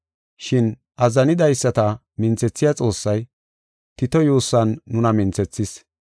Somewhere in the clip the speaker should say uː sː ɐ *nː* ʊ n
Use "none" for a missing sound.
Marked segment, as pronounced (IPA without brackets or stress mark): nː